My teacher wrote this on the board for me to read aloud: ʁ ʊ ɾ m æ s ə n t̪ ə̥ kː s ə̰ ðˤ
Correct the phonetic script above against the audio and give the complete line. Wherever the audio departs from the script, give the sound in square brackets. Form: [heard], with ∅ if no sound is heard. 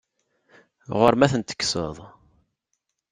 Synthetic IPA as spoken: ʁ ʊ ɾ m æ [θ] ə n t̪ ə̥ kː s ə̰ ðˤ